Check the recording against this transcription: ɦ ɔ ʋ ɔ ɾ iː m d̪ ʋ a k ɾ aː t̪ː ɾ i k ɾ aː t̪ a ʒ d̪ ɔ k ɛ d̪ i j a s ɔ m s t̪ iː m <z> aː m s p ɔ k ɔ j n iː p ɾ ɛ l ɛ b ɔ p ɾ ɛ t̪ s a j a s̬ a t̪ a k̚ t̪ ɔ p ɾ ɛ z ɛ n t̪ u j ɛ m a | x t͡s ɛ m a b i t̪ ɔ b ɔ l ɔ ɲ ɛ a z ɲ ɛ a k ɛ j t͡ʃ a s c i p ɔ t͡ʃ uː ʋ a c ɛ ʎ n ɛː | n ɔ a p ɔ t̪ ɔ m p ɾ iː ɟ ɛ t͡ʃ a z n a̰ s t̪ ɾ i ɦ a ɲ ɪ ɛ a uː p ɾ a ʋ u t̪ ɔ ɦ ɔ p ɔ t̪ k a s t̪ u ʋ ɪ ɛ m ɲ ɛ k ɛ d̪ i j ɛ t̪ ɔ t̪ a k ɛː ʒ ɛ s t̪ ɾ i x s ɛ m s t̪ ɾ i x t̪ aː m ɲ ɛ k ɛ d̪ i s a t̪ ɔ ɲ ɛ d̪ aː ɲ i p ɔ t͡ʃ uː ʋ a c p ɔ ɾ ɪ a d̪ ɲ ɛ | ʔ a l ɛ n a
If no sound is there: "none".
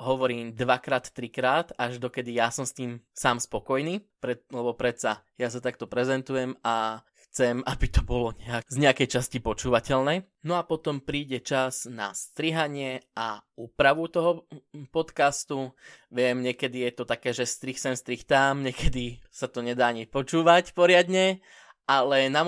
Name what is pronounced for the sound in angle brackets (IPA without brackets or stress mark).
s